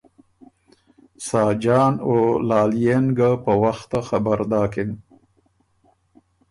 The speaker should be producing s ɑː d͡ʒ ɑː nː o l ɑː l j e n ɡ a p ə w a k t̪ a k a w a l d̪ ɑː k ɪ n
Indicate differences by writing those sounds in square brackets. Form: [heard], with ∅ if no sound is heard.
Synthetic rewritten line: s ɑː d͡ʒ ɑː [n] o l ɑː l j e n ɡ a p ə w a [x] t̪ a [x] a [b] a [ɾ] d̪ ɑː k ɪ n